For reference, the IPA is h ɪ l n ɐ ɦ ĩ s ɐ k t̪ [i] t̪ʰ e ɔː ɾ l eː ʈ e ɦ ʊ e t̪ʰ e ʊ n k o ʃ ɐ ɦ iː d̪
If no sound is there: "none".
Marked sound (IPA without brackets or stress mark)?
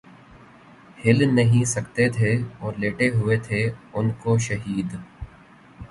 e